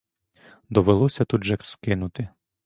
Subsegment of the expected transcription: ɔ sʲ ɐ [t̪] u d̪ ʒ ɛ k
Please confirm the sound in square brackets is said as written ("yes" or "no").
yes